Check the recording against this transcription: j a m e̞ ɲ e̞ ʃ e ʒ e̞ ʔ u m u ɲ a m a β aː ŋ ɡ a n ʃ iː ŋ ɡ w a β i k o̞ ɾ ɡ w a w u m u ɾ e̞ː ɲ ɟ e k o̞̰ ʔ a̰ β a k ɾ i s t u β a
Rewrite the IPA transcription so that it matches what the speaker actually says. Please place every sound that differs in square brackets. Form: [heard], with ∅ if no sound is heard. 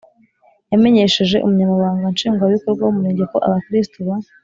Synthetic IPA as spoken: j a m e̞ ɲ e̞ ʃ e ʒ e̞ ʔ u m u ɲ a m a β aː ŋ ɡ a n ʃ iː ŋ ɡ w a β i k o̞ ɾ ɡ w a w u m u ɾ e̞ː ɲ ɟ e k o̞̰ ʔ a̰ β a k ɾ i s t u β a

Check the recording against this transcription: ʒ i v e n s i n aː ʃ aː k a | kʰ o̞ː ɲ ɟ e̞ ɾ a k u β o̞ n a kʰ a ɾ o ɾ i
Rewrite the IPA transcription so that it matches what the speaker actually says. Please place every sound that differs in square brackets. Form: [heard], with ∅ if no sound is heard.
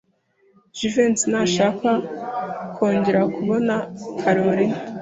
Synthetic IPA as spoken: ʒ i v e n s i n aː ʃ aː k a | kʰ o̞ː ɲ ɟ e̞ ɾ a k u β o̞ n a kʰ a ɾ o ɾ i

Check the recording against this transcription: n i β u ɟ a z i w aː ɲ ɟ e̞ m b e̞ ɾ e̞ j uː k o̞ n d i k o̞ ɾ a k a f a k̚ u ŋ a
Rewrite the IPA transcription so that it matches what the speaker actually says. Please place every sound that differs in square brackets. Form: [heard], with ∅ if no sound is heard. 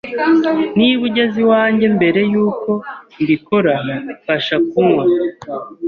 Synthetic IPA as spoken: n i β u ɟ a z i w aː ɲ ɟ e̞ m b e̞ ɾ e̞ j uː k o̞ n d i k o̞ ɾ a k a [ʃ] a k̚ u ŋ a

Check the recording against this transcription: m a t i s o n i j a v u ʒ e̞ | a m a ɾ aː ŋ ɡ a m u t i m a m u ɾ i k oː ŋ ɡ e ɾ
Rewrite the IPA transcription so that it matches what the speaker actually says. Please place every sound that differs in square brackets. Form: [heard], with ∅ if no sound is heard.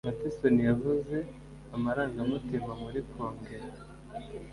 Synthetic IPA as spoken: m a t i s o n i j a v u [z] e̞ | a m a ɾ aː ŋ ɡ a m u t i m a m u ɾ i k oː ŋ ɡ e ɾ

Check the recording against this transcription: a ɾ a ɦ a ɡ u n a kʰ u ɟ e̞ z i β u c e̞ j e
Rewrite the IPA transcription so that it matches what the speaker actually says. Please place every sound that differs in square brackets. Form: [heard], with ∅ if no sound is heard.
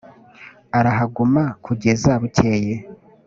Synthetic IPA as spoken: a ɾ a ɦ a ɡ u [m] a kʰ u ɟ e̞ z [a] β u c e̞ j e

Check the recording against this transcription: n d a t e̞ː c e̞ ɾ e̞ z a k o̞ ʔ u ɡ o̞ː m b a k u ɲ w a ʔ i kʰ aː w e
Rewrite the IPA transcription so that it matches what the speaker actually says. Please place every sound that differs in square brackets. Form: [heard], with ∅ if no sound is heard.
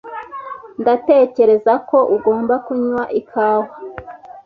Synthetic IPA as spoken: n d a t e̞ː c e̞ ɾ e̞ z a k o̞ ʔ u ɡ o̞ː m b a k u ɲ w a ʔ i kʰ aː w [a]

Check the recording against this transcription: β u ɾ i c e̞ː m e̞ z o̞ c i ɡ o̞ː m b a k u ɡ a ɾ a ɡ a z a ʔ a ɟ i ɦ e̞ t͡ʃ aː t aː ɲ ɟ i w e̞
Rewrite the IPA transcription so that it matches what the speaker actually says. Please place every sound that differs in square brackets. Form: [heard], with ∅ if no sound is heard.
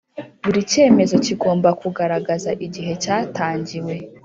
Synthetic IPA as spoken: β u ɾ i c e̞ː m e̞ z o̞ c i ɡ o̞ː m b a k u ɡ a ɾ a ɡ a z a ʔ [i] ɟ i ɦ e̞ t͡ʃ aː t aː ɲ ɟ i w e̞

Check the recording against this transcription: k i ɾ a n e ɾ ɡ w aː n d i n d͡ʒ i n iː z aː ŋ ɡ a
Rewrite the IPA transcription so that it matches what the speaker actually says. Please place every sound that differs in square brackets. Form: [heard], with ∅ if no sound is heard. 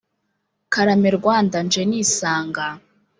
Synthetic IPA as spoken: k [a] ɾ a [m] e ɾ ɡ w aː n d [a] n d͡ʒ [e] n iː [s] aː ŋ ɡ a

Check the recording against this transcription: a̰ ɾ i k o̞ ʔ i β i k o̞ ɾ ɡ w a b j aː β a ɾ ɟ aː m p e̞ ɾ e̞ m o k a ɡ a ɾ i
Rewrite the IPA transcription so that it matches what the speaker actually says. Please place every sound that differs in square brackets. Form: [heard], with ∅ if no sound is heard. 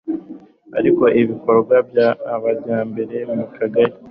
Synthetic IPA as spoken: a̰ ɾ i k o̞ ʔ i β i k o̞ ɾ ɡ w a b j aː β a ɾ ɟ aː m [b] e̞ ɾ e̞ m [u] k a ɡ a ɾ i

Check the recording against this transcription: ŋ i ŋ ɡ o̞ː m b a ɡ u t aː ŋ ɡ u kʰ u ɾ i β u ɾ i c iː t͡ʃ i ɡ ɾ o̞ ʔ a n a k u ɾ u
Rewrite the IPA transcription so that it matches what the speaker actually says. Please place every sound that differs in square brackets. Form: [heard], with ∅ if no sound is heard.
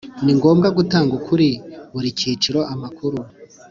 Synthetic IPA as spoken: [n] i ŋ ɡ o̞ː m [ɡ] a ɡ u t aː ŋ ɡ u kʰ u ɾ i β u ɾ i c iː t͡ʃ i [∅] ɾ o̞ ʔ a [m] a k u ɾ u

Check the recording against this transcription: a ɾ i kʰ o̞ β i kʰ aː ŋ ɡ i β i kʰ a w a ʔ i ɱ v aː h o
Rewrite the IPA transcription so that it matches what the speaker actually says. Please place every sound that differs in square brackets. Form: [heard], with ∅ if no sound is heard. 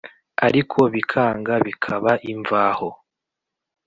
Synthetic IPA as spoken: a ɾ i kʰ o̞ β i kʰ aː ŋ ɡ [a] β i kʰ a [β] a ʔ i ɱ v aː h o

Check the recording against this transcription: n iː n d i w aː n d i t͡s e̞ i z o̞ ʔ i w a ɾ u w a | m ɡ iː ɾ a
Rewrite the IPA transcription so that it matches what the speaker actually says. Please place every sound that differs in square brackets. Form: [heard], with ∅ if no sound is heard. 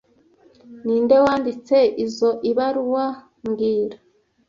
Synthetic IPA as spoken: n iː n d [e] w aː n d i t͡s e̞ i z o̞ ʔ i [β] a ɾ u w a | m ɡ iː ɾ a

